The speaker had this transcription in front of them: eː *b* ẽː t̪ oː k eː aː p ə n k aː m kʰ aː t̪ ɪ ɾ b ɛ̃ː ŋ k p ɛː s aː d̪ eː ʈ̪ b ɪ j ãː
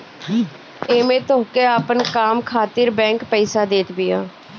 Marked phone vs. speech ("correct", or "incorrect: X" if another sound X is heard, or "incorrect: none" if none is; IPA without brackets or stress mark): incorrect: m